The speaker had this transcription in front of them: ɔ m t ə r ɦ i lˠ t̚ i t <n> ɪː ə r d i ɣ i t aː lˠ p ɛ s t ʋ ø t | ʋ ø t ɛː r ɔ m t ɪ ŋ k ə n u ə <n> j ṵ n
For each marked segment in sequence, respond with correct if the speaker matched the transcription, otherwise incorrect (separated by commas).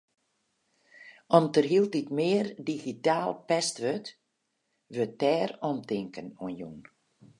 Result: incorrect, correct